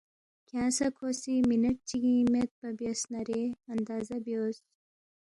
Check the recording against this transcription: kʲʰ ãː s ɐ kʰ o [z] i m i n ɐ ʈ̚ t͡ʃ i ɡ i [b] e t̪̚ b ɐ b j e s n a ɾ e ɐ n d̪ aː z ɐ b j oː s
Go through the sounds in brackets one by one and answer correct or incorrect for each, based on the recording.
incorrect: s, incorrect: m

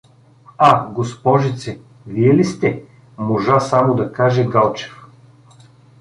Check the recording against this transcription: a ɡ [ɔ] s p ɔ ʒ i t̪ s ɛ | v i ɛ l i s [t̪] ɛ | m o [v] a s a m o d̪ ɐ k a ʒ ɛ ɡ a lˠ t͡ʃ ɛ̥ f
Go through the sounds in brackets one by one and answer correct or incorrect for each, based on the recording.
incorrect: o, correct, incorrect: ʒ

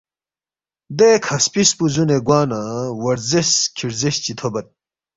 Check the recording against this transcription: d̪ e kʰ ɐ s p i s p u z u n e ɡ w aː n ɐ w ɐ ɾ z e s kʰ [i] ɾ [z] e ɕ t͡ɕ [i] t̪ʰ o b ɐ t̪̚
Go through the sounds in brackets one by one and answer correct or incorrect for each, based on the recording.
correct, correct, correct

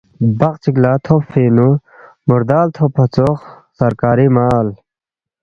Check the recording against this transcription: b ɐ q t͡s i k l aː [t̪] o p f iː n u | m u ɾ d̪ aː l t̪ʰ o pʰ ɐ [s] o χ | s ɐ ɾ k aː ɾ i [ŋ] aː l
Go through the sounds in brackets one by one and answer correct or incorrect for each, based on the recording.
incorrect: t̪ʰ, incorrect: t͡s, incorrect: m

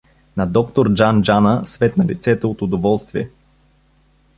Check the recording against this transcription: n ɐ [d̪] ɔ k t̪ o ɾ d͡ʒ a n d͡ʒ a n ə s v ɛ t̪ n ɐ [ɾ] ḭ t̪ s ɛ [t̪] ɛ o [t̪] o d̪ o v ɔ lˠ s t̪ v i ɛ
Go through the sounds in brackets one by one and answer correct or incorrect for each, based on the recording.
correct, incorrect: l, correct, correct

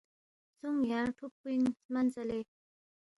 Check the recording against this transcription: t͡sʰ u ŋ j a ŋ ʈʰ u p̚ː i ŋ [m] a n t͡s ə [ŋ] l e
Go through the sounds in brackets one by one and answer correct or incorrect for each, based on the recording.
correct, incorrect: none

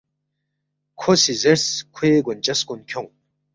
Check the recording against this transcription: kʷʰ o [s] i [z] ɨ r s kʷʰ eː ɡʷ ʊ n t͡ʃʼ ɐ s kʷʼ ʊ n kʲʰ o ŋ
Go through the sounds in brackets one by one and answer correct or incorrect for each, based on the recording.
correct, correct

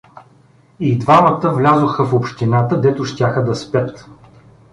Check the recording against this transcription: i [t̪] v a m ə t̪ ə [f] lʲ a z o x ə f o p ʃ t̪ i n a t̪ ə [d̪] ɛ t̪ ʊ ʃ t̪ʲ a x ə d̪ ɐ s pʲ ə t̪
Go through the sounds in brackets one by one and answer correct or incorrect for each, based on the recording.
incorrect: d̪, incorrect: v, correct

